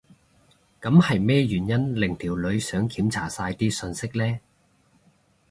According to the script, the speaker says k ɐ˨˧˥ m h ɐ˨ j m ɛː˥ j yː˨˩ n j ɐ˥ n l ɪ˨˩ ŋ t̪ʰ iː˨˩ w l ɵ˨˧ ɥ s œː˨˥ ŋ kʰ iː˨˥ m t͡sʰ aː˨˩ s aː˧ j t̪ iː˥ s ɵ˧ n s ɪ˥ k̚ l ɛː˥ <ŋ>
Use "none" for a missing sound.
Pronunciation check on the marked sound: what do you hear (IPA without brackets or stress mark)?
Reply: none